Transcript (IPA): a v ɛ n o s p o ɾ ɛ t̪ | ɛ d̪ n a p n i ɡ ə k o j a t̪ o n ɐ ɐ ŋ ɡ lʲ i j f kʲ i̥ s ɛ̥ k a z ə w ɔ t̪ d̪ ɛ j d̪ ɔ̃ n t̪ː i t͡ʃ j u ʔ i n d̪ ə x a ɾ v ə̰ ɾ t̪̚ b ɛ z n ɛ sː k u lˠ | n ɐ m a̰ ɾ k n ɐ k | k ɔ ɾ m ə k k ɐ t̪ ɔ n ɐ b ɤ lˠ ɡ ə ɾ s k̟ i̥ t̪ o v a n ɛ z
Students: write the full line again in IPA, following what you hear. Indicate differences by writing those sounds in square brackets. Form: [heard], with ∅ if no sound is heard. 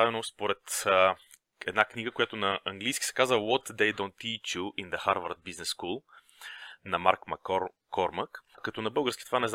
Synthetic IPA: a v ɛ n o s p o ɾ ɛ t̪ | ɛ d̪ n a [k] n i ɡ ə k o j a t̪ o n ɐ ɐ ŋ ɡ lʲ i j [s] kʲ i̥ s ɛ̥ k a z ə w ɔ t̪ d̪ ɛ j d̪ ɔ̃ n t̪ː i t͡ʃ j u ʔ i n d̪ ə x a ɾ v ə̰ ɾ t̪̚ b [i] z n ɛ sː k u lˠ | n ɐ m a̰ ɾ k [m] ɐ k | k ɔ ɾ m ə k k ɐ t̪ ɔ n ɐ b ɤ lˠ ɡ ə ɾ s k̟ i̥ t̪ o v a n ɛ z